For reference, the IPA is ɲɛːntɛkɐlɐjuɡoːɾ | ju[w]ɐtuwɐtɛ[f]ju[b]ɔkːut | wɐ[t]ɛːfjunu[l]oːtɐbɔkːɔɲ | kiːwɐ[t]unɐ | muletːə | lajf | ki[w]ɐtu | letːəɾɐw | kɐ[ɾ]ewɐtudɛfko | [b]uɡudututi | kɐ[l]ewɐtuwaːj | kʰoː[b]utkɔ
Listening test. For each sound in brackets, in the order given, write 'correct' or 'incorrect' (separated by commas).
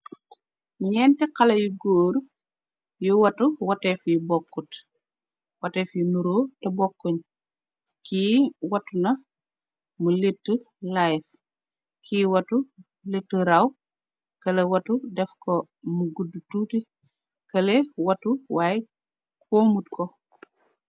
correct, correct, correct, correct, incorrect, correct, correct, incorrect, incorrect, correct, incorrect